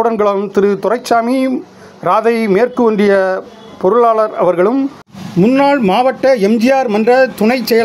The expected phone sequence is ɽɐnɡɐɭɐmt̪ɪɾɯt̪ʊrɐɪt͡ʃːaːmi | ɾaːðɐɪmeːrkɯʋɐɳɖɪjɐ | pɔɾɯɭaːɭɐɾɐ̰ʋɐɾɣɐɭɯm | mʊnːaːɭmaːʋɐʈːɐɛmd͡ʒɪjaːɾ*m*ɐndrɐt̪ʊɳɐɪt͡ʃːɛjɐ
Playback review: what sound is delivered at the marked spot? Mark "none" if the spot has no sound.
m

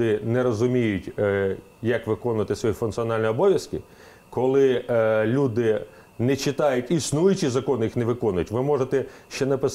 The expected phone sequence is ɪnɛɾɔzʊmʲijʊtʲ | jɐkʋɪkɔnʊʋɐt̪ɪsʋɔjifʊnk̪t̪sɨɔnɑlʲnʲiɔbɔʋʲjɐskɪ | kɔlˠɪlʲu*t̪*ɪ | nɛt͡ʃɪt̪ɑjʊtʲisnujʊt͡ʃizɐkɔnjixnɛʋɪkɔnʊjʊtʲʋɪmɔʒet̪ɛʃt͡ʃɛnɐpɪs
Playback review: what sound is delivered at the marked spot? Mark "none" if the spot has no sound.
d̪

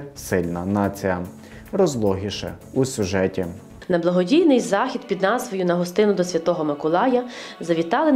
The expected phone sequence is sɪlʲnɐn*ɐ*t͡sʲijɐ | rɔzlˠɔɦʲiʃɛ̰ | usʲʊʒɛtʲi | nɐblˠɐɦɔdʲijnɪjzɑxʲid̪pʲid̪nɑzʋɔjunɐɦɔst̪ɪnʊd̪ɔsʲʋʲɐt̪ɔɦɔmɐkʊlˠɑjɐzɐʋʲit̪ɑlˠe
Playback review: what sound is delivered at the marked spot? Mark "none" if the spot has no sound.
ɑ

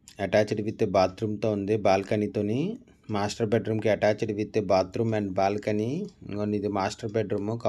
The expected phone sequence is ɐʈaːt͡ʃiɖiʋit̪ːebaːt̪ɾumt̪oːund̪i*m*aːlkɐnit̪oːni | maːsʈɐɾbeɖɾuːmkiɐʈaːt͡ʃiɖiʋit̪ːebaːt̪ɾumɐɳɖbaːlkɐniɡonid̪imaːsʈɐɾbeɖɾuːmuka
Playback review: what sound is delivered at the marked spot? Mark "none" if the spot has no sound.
b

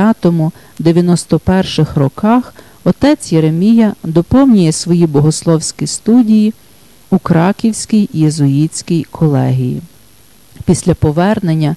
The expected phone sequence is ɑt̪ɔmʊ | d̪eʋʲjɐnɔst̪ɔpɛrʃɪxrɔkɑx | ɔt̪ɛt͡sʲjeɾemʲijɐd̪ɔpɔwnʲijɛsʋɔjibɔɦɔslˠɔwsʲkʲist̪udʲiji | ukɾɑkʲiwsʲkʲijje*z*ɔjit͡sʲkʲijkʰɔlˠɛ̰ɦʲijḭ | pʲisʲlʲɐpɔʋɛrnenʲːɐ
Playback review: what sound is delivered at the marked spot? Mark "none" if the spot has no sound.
z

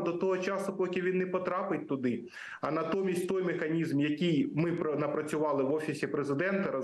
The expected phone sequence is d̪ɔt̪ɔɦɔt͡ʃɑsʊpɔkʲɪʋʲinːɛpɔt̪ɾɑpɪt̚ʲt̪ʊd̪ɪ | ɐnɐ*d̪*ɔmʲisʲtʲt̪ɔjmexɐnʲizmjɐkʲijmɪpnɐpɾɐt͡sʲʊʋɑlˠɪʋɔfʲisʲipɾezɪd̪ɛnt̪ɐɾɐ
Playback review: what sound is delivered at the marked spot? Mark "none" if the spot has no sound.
t̪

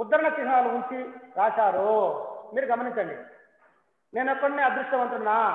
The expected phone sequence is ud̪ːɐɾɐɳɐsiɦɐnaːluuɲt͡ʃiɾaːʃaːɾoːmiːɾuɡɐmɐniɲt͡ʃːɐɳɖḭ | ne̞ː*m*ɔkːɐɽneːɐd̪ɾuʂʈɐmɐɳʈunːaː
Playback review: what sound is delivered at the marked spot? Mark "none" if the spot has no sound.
n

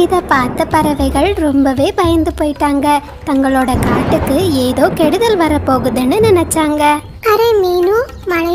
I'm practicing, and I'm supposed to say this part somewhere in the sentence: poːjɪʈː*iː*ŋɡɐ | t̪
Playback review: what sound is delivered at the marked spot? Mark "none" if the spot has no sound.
aː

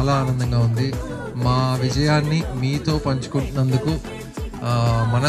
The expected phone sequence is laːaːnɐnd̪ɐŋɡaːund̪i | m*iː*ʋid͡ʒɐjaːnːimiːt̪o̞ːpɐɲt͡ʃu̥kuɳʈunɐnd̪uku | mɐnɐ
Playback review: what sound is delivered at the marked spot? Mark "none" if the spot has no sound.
aː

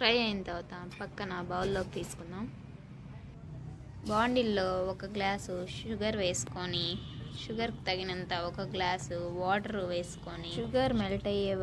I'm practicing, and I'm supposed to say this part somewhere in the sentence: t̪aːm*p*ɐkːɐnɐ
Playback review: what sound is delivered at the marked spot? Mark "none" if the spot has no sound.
p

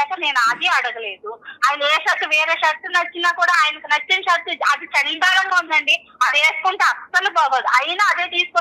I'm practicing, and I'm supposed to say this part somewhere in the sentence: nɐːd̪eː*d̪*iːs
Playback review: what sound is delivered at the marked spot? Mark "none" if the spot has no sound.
t̪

